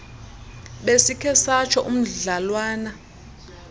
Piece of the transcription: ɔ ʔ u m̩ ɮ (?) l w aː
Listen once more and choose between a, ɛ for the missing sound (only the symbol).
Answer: a